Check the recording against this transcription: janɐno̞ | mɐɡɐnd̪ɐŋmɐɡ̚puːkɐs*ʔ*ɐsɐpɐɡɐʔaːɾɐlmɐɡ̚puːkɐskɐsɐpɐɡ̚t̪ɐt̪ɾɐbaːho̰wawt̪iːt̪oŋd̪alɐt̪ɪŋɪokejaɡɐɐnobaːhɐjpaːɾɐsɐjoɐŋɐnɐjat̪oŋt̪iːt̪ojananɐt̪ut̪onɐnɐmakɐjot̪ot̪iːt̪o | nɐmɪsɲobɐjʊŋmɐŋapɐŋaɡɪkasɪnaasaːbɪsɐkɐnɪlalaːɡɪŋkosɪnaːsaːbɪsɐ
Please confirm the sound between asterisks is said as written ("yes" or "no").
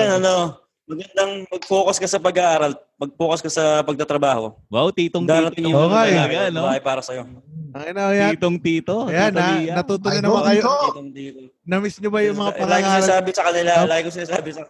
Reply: no